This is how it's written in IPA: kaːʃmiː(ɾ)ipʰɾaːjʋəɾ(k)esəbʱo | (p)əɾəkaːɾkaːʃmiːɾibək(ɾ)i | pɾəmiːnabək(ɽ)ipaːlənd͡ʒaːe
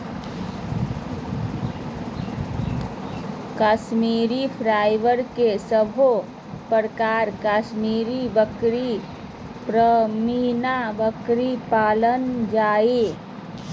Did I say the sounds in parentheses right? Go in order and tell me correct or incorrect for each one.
correct, correct, correct, correct, incorrect: ɾ

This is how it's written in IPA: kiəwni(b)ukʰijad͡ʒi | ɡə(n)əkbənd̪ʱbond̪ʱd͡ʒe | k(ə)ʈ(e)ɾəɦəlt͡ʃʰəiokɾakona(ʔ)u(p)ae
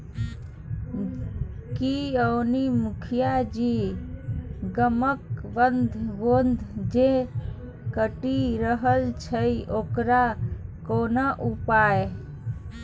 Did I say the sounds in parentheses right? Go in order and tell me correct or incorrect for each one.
incorrect: m, incorrect: m, correct, incorrect: i, correct, correct

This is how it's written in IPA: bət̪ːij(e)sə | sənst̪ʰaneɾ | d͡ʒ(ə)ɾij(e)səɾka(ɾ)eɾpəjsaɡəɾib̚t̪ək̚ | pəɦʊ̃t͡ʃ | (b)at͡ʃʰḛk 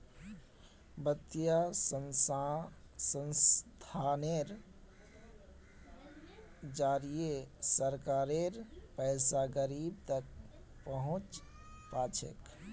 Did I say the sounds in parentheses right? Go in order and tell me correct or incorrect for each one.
incorrect: a, incorrect: a, correct, correct, incorrect: p

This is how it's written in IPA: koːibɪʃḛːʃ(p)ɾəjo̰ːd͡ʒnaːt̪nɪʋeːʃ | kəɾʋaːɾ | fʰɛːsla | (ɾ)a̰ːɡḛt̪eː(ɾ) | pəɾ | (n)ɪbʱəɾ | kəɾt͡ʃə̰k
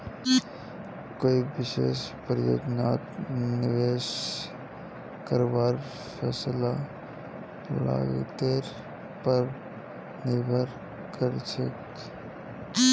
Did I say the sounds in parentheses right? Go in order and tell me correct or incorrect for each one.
correct, incorrect: l, correct, correct

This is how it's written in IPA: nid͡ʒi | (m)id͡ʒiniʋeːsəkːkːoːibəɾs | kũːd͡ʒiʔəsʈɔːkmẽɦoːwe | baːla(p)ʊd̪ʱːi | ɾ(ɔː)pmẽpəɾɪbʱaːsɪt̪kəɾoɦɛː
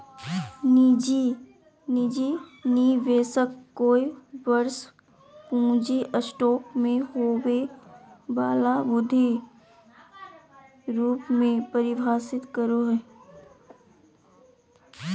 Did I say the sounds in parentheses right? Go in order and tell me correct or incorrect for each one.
incorrect: n, incorrect: b, incorrect: uː

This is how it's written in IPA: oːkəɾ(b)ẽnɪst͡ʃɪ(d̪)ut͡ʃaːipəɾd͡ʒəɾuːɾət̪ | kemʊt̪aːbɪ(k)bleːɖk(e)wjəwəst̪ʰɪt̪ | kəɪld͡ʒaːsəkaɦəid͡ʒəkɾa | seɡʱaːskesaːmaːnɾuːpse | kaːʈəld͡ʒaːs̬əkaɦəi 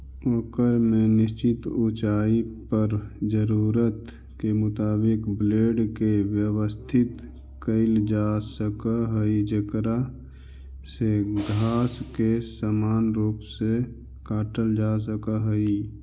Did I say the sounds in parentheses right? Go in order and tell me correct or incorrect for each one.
incorrect: m, incorrect: t̪, correct, correct

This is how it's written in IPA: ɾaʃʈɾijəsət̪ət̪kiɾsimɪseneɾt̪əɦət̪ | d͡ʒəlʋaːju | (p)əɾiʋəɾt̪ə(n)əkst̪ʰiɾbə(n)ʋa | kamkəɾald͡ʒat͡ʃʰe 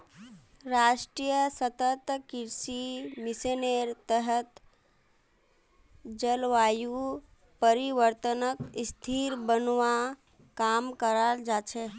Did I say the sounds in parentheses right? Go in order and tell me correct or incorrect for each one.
correct, correct, correct

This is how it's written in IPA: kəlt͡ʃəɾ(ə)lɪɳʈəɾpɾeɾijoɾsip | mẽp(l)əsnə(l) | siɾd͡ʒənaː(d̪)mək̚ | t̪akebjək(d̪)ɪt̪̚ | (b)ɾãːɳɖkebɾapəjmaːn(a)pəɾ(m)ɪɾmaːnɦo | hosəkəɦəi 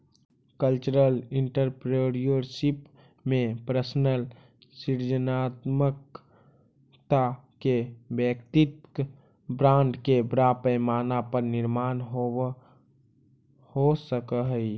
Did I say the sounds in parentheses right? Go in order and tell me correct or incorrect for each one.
correct, incorrect: ɾ, correct, incorrect: t̪, incorrect: t̪, correct, correct, incorrect: n

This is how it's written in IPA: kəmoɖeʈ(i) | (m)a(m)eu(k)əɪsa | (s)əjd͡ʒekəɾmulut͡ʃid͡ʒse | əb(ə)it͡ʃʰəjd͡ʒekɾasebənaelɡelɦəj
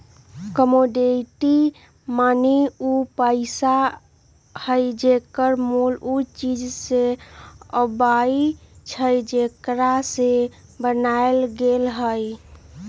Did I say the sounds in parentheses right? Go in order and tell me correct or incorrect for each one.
correct, correct, incorrect: n, incorrect: p, incorrect: h, incorrect: a

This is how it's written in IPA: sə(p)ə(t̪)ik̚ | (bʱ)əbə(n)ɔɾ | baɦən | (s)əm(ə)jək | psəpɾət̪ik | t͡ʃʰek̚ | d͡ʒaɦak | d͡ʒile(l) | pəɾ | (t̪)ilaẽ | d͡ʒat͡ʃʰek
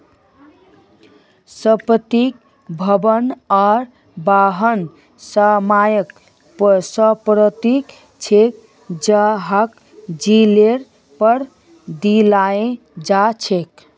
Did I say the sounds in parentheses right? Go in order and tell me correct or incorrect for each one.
correct, correct, correct, correct, correct, incorrect: a, incorrect: ɾ, incorrect: d̪

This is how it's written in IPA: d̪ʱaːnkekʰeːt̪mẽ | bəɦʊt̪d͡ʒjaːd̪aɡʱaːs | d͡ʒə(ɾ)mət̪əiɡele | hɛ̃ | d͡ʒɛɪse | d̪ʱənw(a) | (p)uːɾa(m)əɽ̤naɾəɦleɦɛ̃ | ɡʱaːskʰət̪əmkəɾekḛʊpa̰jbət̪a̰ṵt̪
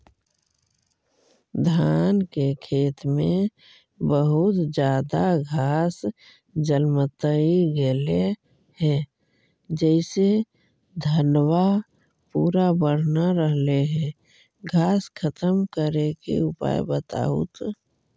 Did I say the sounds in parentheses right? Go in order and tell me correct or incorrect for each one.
incorrect: l, correct, correct, incorrect: b

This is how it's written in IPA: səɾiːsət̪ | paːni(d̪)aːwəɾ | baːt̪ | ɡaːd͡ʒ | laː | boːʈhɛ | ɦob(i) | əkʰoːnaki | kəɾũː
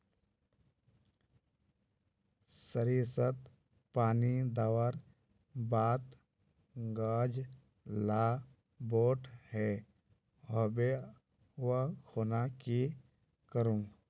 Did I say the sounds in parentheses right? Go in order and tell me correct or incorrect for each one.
correct, incorrect: e

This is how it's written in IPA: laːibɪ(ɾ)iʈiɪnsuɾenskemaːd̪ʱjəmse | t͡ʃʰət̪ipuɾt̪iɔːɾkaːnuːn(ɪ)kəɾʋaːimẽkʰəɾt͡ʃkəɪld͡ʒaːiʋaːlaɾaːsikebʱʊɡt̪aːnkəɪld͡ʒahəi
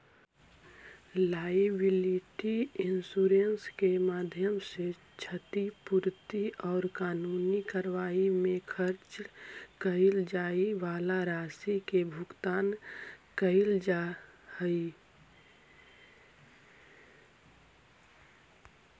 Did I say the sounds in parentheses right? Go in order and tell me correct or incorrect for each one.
incorrect: l, incorrect: i

